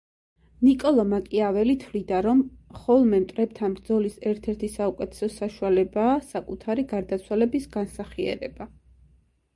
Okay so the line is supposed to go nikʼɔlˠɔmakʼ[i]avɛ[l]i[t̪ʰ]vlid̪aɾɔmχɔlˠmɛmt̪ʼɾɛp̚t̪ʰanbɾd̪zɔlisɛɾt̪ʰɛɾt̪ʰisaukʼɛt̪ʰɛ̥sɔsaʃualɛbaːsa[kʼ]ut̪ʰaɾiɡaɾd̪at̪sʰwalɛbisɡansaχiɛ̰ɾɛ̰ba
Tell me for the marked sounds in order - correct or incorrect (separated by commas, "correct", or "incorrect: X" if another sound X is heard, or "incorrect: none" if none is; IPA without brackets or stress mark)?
correct, correct, correct, correct